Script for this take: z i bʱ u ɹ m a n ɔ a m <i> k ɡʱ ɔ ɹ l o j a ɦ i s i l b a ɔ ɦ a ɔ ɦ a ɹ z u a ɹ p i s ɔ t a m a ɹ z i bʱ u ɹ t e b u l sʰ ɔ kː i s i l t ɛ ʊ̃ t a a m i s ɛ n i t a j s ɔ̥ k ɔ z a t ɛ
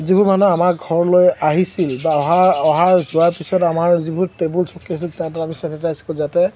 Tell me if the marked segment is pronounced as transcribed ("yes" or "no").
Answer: no